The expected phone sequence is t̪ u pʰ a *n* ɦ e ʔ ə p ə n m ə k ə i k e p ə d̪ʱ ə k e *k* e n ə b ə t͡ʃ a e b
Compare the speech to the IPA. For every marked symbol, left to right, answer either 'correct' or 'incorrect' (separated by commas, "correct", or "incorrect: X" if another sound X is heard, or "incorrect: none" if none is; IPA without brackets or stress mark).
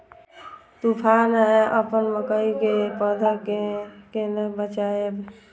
correct, correct